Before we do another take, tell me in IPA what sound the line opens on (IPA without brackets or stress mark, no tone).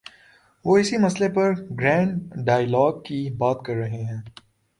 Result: ʋ